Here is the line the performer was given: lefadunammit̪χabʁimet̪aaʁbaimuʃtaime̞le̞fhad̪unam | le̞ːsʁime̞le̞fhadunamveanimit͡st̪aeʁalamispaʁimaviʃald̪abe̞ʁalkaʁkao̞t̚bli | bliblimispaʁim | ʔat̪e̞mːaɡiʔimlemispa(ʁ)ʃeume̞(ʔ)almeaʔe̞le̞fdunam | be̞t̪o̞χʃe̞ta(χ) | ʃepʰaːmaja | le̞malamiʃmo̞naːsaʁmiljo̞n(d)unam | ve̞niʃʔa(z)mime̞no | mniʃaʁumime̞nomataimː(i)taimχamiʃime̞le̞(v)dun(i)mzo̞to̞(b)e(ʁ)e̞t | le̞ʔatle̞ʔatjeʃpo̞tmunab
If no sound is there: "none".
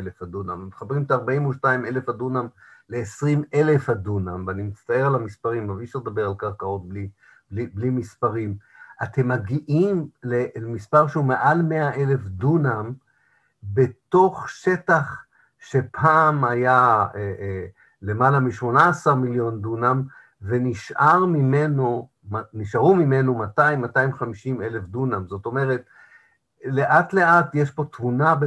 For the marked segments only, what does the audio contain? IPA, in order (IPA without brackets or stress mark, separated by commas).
ʁ, ʔ, χ, d, ʁ, a, f, a, m, ʁ